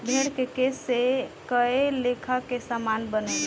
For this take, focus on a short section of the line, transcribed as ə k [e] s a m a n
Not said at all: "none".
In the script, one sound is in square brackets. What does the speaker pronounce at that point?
e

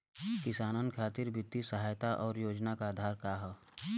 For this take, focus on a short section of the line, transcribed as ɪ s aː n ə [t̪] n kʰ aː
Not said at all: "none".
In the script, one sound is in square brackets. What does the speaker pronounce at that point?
none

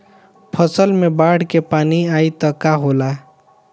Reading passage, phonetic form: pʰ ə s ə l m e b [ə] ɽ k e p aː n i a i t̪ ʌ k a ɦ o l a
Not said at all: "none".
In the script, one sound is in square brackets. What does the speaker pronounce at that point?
a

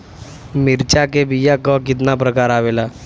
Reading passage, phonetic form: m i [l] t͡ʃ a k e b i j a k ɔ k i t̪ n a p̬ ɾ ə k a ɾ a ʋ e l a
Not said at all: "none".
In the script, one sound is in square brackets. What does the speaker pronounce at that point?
ɾ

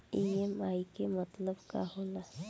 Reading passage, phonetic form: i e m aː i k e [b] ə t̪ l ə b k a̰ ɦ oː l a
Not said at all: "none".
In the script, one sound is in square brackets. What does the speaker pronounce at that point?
m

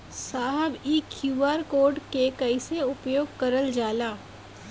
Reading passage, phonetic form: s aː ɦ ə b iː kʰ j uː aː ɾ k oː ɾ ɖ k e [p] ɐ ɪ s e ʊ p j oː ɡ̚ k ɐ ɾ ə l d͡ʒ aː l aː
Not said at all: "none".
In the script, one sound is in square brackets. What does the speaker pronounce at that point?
k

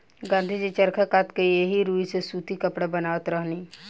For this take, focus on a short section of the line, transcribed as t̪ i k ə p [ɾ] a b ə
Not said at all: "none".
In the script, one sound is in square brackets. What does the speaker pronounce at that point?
ɽ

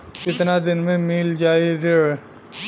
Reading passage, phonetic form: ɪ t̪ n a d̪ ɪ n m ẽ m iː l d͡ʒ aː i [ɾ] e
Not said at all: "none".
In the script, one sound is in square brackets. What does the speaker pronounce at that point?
ɾ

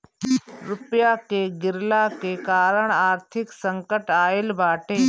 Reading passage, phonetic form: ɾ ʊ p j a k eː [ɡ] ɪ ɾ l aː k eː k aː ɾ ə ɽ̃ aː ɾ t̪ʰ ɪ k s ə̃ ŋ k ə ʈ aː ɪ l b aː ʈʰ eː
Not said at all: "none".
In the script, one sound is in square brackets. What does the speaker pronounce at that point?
ɡ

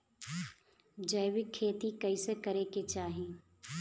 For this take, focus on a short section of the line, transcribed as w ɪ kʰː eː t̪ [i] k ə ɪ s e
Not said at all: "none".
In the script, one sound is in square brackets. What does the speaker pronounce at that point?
i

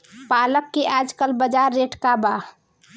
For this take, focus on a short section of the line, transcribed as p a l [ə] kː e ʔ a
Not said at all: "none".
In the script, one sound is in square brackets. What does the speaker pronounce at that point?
ə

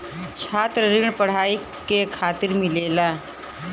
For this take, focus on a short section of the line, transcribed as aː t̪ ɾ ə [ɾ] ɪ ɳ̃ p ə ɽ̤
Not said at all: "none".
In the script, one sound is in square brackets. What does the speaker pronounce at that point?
ɾ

